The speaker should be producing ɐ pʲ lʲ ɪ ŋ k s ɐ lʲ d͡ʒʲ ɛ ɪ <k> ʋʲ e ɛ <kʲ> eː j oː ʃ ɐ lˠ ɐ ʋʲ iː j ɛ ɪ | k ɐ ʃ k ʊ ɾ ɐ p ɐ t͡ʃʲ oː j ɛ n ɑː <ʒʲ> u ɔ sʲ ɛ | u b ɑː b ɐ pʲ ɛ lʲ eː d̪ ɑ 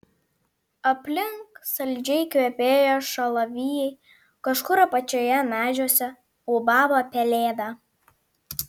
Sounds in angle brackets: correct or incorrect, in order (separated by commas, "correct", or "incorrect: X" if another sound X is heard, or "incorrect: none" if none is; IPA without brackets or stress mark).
correct, incorrect: pʲ, correct